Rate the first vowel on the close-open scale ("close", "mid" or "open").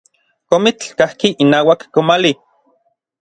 mid